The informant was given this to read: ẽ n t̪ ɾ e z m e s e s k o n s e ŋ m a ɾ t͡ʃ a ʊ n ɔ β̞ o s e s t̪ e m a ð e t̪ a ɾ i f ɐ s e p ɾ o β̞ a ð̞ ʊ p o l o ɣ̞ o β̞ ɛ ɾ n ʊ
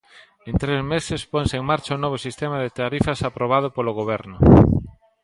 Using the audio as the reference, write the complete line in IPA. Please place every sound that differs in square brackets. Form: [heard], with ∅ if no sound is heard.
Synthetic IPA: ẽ n t̪ ɾ e z m e s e s [p] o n s e ŋ m a ɾ t͡ʃ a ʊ n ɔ β̞ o s [i] s t̪ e m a ð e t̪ a ɾ i f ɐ s [a] p ɾ o β̞ a ð̞ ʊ p o l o ɣ̞ o β̞ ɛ ɾ n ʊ